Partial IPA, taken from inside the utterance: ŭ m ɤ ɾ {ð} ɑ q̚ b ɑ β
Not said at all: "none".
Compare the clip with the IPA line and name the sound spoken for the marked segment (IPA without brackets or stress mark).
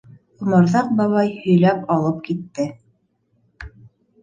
ð